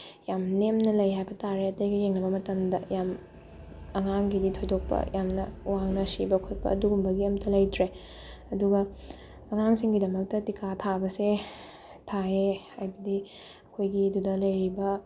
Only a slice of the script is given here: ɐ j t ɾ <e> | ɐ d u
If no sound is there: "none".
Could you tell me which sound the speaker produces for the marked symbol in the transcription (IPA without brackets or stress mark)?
e